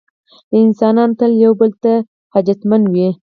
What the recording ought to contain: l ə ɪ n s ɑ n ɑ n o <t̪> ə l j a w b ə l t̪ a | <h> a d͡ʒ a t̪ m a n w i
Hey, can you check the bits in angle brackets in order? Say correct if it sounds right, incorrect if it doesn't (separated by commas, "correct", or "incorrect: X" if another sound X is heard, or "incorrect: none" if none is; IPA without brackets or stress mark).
correct, correct